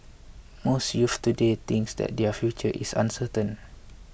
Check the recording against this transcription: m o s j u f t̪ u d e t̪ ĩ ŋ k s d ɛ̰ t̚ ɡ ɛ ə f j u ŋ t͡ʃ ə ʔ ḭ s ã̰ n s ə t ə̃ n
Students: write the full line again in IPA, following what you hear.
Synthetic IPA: m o s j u f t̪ u d e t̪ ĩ ŋ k s d ɛ̰ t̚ d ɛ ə f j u t͡ʃ ə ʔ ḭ s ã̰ n s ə t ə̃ n